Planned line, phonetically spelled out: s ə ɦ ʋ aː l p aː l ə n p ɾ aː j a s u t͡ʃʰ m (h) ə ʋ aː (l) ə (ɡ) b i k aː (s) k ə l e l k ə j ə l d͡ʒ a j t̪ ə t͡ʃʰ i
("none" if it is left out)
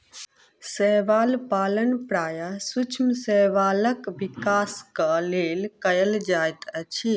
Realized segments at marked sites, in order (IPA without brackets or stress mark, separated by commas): s, l, k, s